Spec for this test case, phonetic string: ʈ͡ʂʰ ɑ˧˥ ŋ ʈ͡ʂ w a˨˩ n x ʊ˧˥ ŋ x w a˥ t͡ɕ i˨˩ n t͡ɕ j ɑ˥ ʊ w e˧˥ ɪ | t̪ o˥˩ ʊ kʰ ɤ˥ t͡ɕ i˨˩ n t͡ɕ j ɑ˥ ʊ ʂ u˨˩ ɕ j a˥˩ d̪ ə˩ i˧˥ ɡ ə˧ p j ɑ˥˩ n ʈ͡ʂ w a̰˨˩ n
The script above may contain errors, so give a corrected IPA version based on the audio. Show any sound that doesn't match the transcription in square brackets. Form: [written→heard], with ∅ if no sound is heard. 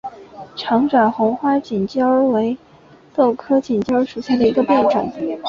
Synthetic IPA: ʈ͡ʂʰ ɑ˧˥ ŋ ʈ͡ʂ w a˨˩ n x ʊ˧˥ ŋ x w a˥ t͡ɕ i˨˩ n t͡ɕ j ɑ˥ ʊ w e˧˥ ɪ | t̪ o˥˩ ʊ kʰ ɤ˥ t͡ɕ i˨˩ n t͡ɕ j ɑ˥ ʊ ʂ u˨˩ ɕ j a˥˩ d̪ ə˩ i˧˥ ɡ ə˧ p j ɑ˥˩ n ʈ͡ʂ w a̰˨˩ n